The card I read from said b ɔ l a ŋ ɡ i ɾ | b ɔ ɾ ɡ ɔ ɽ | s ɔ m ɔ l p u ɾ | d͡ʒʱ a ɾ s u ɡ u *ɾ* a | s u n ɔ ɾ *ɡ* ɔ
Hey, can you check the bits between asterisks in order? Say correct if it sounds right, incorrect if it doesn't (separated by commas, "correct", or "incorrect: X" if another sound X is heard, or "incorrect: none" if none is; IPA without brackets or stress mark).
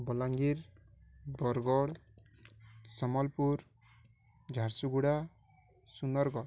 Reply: incorrect: ɽ, correct